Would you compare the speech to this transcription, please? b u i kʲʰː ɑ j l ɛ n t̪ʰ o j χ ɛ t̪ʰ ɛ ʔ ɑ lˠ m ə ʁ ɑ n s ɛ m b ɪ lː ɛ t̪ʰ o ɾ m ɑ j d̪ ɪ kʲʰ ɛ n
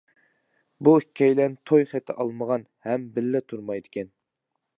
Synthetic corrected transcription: b u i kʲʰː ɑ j l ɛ n t̪ʰ o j χ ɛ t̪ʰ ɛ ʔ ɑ lˠ m ə ʁ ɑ n h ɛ m b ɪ lː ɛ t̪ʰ u ɾ m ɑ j d̪ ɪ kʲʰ ɛ n